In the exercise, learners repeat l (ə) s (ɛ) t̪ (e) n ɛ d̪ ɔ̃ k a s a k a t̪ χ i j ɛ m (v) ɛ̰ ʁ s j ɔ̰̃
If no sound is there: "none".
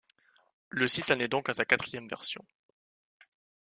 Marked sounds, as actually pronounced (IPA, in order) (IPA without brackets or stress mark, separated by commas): ə, i, a, v